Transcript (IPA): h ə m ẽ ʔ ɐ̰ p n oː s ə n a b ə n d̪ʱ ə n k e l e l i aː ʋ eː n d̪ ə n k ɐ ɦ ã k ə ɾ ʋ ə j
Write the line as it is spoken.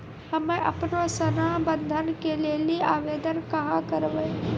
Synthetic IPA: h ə m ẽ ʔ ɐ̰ p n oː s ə n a b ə n d̪ʱ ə n k e l e l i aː ʋ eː d̪ ə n k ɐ ɦ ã k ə ɾ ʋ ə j

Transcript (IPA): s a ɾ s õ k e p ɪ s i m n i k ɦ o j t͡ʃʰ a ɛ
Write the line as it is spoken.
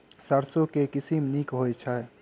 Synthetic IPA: s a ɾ s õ k e k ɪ s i m n i k ɦ o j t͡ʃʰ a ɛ

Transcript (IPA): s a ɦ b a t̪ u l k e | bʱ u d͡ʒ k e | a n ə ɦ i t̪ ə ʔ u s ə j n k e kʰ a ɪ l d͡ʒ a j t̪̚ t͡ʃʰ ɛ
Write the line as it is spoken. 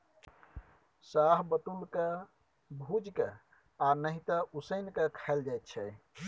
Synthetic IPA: s a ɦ b ə t̪ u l k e | bʱ u d͡ʒ k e | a n ə ɦ i t̪ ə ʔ u s ə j n k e kʰ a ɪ l d͡ʒ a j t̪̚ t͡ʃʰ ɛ

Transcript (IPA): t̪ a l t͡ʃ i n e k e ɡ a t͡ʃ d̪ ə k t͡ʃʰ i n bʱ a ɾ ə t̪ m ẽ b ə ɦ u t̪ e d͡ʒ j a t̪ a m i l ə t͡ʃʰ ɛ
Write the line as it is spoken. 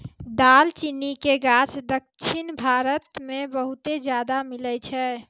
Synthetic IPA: d̪ a l t͡ʃ i n i k e ɡ a t͡ʃ d̪ ə k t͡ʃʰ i n bʱ a ɾ ə t̪ m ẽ b ə ɦ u t̪ e d͡ʒ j a d̪ a m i l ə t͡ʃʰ ɛ

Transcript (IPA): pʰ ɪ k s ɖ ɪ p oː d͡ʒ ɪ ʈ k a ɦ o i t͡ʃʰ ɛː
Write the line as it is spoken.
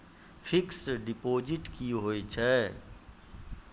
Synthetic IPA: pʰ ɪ k s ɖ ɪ p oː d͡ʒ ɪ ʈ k i ɦ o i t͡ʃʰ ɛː

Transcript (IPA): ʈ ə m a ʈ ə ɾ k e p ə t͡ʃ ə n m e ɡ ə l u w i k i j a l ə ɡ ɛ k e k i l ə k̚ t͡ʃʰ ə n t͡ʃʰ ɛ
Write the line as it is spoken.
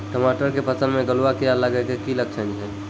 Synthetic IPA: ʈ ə m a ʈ ə ɾ k e p ə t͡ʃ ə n m e ɡ ə l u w a k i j a l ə ɡ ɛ k e k i l ə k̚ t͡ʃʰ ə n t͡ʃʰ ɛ

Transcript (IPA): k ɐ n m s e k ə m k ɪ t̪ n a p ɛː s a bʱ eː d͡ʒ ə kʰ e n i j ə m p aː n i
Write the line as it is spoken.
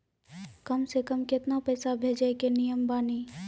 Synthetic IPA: k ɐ m s e k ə m k ɪ t̪ n a p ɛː s a bʱ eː d͡ʒ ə k e n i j ə m b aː n i

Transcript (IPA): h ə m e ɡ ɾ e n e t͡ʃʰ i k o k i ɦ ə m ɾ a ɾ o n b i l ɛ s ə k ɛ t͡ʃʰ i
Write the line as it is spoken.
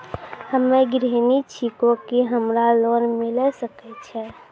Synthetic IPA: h ə m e ɡ ɾ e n i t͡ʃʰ i k o k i ɦ ə m ɾ a l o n m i l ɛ s ə k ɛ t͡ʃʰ ɛ

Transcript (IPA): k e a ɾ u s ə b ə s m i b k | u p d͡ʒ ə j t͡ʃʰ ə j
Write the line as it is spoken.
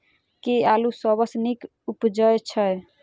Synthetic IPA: k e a l u s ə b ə s n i k | u p d͡ʒ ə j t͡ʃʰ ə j

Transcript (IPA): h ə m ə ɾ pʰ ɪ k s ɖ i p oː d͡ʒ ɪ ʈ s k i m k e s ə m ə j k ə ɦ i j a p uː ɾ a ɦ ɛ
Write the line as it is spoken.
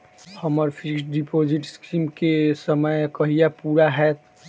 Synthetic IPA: h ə m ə ɾ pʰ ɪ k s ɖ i p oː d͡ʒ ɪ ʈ s k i m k e s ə m ə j k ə ɦ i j a p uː ɾ a ɦ ɛ

